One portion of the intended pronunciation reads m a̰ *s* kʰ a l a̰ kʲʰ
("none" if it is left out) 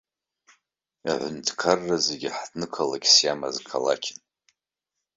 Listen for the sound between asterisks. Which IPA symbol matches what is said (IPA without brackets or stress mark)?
z